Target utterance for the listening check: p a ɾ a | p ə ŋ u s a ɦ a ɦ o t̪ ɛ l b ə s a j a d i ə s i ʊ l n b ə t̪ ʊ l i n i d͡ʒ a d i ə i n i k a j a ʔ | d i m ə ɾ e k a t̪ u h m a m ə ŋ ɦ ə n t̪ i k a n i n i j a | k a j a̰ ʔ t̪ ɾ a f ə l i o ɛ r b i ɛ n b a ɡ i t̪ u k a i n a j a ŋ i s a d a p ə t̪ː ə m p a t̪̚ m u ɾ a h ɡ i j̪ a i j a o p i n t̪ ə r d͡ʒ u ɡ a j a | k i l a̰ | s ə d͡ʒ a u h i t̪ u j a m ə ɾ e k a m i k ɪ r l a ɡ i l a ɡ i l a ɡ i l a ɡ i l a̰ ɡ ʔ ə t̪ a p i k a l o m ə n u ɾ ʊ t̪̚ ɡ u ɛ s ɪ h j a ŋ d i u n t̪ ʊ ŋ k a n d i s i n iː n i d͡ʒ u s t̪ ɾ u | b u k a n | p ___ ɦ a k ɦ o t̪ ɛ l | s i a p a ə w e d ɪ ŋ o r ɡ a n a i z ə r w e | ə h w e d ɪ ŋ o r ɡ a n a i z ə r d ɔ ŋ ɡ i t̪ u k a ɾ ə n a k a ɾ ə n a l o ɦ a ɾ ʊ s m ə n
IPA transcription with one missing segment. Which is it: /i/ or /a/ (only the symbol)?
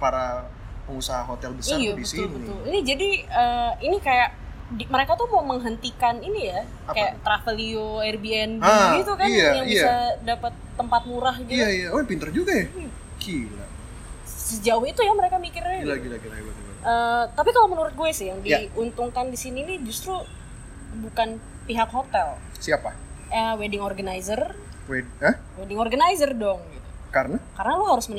i